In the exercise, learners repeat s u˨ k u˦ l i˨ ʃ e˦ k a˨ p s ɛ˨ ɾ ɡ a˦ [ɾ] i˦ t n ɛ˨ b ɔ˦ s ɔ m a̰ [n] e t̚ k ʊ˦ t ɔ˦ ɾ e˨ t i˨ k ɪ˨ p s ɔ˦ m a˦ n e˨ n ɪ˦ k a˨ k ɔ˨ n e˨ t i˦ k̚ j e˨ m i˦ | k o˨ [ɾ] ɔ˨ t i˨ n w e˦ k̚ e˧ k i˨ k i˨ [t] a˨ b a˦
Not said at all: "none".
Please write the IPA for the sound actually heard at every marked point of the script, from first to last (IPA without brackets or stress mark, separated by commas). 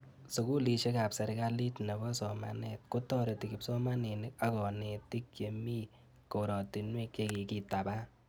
l, n, ɾ, t